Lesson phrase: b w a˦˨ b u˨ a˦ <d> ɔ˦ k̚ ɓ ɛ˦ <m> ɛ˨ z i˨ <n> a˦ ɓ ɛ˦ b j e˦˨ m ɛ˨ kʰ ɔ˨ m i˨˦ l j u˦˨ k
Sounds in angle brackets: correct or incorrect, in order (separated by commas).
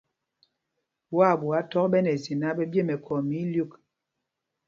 incorrect, incorrect, correct